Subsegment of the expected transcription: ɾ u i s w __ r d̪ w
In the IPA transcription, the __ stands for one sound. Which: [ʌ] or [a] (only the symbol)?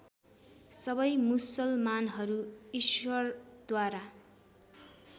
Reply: ʌ